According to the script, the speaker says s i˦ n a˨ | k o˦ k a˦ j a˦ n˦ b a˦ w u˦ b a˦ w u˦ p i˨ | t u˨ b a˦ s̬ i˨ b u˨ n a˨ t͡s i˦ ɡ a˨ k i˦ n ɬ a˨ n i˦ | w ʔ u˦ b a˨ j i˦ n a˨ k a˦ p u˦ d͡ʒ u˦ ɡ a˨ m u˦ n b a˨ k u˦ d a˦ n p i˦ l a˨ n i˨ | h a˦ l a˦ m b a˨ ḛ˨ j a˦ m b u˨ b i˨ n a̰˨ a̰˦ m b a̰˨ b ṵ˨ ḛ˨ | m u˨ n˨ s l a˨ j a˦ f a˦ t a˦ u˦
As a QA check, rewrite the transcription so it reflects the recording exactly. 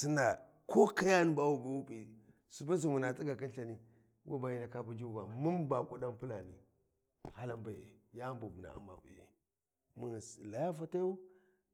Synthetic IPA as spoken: s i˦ n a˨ | k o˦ k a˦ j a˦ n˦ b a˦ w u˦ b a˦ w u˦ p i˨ | s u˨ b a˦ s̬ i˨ m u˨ n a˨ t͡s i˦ ɡ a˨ k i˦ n ɬ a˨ n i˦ | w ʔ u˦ b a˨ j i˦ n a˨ k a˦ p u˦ d͡ʒ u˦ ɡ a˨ m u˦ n b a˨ k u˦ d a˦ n p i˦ l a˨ n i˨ | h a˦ l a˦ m b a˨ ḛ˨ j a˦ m b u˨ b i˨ n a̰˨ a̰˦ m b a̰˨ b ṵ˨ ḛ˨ | m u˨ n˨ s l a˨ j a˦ f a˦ t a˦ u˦